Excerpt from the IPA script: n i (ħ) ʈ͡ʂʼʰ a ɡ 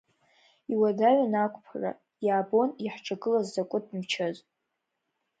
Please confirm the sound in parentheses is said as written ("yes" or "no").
yes